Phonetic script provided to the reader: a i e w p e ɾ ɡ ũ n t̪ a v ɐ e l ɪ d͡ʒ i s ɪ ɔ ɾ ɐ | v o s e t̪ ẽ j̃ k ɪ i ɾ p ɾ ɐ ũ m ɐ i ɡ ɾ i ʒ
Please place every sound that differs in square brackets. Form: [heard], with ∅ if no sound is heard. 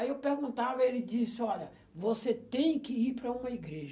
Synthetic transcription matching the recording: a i e w p e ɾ ɡ ũ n t̪ a v ɐ e l ɪ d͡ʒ i s ɪ ɔ [ʎ] ɐ | v o s e t̪ ẽ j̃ k ɪ i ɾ p ɾ ɐ ũ m ɐ i ɡ ɾ [e] ʒ